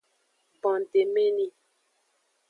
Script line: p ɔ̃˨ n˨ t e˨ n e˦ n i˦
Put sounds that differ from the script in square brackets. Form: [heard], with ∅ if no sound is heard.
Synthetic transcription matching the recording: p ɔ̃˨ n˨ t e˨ [m] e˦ n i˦